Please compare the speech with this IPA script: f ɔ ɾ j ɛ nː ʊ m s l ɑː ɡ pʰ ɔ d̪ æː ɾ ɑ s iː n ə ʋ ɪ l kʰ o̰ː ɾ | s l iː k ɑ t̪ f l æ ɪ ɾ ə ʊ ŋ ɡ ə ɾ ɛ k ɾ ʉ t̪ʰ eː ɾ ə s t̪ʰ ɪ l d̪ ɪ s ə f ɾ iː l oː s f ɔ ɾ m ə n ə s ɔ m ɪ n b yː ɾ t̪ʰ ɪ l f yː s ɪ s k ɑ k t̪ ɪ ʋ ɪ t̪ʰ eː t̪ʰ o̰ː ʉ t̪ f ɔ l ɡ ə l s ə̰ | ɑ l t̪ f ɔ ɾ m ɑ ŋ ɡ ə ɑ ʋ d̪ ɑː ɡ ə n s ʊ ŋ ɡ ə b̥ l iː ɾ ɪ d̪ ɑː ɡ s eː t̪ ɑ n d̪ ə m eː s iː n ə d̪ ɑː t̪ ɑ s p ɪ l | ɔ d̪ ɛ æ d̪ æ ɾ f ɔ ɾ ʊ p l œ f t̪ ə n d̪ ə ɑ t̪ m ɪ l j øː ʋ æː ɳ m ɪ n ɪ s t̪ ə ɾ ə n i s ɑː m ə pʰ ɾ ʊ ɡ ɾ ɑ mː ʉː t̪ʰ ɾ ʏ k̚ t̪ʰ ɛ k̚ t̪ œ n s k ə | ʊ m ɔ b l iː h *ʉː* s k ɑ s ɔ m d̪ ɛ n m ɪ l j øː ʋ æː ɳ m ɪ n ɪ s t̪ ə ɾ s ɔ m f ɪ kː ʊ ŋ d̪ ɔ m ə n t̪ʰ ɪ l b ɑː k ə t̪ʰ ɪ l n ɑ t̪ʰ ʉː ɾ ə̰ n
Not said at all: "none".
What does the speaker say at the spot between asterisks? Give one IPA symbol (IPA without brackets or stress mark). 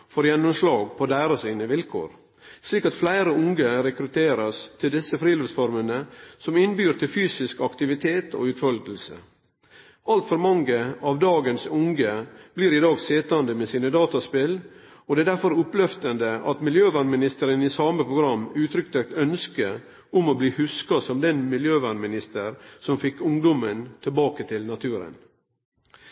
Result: ʉ